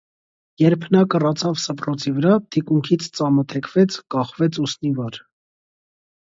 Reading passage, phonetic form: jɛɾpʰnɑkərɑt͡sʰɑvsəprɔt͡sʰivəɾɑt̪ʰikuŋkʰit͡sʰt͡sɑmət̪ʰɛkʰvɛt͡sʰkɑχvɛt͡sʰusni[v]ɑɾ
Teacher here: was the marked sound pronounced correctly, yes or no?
yes